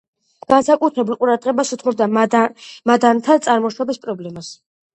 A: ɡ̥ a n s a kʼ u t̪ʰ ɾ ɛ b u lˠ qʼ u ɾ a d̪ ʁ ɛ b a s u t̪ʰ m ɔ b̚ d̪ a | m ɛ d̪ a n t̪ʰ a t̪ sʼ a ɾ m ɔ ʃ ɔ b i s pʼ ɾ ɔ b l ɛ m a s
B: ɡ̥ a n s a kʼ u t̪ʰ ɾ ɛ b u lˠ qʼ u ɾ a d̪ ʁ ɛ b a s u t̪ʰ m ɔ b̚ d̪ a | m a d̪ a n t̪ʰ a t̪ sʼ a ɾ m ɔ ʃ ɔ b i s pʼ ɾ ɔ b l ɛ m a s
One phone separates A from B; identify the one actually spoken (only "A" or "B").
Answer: B